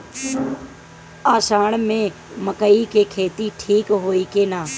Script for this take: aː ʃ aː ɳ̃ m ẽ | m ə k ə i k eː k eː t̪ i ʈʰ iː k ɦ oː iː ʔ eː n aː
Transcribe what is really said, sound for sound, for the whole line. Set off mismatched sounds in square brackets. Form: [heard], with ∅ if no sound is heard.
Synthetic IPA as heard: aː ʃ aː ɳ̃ m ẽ | m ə k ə i k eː [kʰ] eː t̪ i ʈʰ iː k ɦ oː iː [k] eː n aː